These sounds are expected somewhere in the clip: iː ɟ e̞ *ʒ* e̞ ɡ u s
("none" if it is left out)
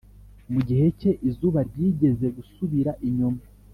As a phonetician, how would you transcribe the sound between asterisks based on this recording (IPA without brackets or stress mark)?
z